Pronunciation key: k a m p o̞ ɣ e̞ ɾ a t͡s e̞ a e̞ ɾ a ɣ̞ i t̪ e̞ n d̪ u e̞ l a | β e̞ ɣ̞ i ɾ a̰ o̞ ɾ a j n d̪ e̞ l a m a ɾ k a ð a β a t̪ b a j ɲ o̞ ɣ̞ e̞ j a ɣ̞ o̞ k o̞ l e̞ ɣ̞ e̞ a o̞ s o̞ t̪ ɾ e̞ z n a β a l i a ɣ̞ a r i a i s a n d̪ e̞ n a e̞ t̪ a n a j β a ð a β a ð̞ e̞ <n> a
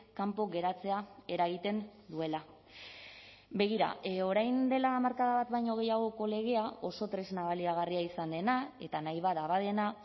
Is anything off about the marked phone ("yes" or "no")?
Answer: no